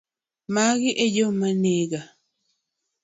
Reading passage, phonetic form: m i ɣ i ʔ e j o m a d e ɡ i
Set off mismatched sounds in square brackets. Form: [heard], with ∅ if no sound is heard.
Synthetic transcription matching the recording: m [a] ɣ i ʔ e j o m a [n] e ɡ [a]